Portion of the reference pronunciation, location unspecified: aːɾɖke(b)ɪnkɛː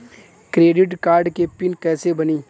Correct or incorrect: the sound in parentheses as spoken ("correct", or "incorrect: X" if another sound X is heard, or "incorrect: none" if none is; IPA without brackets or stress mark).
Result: incorrect: p